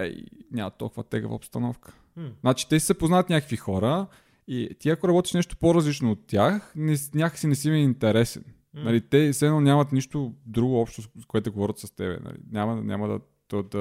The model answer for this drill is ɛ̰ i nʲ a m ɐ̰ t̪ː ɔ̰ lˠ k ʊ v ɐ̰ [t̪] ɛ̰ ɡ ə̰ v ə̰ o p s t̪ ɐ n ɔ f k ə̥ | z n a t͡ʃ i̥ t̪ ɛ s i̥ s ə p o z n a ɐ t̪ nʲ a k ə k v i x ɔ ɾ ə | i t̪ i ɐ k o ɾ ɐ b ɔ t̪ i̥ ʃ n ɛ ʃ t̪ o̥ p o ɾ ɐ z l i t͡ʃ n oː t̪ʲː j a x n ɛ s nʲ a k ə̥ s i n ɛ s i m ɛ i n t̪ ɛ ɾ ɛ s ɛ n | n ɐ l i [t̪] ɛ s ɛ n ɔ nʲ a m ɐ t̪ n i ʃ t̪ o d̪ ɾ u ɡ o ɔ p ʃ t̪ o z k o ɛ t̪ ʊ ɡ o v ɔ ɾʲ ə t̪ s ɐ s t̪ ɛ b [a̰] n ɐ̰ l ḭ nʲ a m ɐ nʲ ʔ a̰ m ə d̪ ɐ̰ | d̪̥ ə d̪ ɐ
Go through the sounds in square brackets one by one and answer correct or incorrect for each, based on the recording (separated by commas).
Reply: correct, correct, incorrect